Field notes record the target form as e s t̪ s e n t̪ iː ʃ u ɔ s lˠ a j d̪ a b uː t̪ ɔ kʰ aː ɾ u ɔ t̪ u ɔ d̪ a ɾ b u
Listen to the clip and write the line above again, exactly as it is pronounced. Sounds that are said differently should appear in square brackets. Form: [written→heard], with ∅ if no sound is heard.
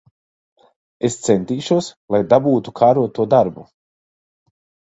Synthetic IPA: e s t̪ s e n t̪ iː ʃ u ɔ s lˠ a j d̪ a b uː t̪ [ɔ→u] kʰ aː ɾ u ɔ t̪ u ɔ d̪ a ɾ b u